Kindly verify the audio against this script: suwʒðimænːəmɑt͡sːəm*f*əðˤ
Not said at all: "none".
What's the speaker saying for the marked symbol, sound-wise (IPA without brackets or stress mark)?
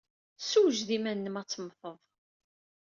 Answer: θ